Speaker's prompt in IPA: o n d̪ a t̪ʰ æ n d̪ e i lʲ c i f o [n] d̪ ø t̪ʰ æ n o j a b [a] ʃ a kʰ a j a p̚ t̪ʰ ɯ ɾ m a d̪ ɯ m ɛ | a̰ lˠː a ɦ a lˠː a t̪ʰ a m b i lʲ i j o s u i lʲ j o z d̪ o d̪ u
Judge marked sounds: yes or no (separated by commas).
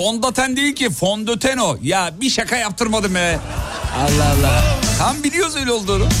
yes, no